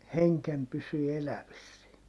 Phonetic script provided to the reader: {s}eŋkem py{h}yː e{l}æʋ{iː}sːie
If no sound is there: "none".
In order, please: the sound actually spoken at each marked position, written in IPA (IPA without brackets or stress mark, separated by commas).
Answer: h, s, l, i